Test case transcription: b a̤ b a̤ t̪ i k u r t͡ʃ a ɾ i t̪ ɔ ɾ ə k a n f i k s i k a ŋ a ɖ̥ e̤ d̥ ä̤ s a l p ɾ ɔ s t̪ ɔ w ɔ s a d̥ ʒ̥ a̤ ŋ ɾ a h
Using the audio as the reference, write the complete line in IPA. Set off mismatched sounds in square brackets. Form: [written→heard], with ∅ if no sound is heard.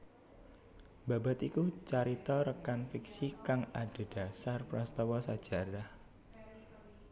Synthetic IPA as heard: b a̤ b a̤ t̪ i k u [r→∅] t͡ʃ a ɾ i t̪ ɔ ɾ ə k a n f i k s i k a ŋ a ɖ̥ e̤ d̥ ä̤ s a [l→r] p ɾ ɔ s t̪ ɔ w ɔ s a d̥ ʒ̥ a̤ [ŋ→∅] ɾ a h